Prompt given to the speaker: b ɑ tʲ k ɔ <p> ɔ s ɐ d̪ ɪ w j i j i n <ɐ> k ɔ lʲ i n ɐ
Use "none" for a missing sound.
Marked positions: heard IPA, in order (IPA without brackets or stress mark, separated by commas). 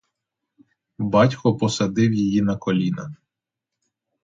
p, ɐ